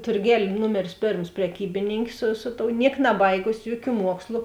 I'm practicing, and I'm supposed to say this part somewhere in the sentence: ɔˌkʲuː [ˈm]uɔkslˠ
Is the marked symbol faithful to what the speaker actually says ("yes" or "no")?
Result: yes